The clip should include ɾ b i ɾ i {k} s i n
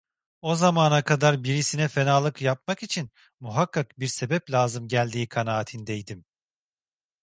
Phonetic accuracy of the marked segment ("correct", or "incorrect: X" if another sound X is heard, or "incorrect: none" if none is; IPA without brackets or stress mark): incorrect: none